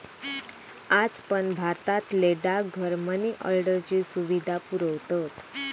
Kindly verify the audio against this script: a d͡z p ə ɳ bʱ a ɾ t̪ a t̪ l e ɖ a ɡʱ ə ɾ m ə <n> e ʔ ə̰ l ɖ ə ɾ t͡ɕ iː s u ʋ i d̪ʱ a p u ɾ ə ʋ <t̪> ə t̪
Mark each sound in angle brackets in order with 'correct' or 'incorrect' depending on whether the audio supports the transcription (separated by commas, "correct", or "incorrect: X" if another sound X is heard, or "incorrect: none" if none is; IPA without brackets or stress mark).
correct, correct